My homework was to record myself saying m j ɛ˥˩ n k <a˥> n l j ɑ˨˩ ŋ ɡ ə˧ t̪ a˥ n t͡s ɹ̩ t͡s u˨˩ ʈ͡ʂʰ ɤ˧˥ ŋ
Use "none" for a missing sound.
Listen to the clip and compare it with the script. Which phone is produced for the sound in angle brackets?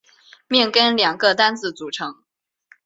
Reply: ə˥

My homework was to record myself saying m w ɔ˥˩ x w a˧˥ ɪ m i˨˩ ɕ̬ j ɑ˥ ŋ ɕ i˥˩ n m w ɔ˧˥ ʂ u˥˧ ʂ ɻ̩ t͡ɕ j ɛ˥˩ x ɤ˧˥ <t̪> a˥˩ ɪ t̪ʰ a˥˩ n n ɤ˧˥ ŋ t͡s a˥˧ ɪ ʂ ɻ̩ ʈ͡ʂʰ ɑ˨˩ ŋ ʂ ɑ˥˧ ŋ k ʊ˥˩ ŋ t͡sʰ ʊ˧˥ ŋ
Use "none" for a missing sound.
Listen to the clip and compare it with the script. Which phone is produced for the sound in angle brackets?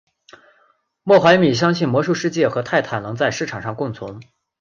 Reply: t̪ʰ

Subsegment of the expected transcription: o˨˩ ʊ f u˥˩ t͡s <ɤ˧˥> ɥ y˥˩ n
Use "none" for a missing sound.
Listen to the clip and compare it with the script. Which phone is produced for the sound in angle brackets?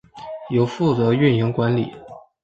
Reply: ɤ˧˥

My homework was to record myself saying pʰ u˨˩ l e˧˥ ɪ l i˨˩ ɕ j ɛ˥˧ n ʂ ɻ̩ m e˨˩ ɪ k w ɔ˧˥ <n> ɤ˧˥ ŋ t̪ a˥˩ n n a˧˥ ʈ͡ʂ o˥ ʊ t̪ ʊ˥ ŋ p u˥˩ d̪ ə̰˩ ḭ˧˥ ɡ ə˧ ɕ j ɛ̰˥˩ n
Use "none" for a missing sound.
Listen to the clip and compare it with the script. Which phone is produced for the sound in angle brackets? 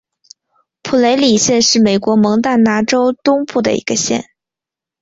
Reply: m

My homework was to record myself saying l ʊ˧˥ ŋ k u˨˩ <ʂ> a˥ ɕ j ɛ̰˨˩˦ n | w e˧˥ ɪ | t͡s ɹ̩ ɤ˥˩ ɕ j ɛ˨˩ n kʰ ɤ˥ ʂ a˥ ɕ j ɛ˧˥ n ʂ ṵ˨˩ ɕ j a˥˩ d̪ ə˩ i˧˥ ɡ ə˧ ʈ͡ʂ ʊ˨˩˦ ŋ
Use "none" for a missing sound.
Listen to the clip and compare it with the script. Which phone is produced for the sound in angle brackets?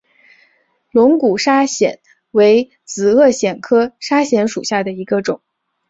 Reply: ʂ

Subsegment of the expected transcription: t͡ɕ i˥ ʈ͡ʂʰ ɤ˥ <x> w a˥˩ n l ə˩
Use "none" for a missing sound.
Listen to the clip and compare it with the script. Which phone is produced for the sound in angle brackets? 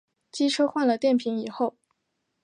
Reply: x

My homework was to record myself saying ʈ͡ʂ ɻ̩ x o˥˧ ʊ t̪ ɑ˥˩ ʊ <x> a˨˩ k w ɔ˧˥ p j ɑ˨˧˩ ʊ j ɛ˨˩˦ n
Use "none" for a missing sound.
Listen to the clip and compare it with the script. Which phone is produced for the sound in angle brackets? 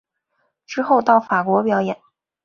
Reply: f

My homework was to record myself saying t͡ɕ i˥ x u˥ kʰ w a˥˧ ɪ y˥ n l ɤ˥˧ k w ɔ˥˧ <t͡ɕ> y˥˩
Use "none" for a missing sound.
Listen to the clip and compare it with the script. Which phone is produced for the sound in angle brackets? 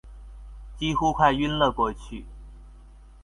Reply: t͡ɕʰ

